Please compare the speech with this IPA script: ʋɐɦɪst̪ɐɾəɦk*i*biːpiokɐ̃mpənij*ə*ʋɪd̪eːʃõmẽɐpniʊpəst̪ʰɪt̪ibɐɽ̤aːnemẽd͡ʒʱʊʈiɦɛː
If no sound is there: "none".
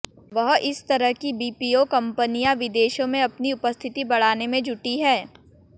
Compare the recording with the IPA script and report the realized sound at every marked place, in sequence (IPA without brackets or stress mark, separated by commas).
i, a